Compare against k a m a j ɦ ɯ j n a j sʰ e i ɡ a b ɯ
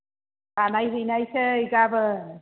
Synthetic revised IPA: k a n a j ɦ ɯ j n a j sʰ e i ɡ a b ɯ